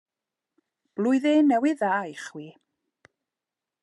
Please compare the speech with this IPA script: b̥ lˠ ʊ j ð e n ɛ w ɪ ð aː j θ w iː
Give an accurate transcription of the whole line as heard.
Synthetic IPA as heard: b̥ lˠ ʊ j ð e n ɛ w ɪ ð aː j χ w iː